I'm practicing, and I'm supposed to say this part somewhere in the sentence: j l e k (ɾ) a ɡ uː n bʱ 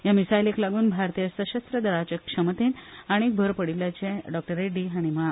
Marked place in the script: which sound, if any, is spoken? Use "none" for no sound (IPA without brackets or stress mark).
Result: l